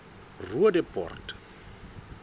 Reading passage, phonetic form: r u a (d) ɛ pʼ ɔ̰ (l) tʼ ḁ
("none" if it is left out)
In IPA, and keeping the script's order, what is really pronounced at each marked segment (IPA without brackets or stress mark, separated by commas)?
d, r